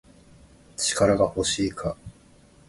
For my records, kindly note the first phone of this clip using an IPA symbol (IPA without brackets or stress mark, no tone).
t͡ɕ